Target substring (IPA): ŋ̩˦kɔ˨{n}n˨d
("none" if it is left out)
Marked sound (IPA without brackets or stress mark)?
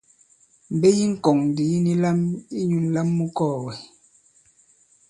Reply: ŋ